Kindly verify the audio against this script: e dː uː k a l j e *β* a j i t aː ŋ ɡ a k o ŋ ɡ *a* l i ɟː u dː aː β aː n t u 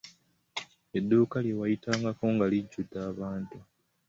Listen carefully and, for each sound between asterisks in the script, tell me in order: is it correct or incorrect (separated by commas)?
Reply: incorrect, correct